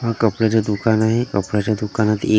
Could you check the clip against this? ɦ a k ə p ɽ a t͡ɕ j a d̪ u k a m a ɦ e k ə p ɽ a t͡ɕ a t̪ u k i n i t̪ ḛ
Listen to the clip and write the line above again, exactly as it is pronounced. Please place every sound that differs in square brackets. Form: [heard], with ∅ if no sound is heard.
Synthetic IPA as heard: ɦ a k ə p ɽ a t͡ɕ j a d̪ u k a [n] a ɦ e k ə p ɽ a t͡ɕ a [d̪] u k [a] n [a] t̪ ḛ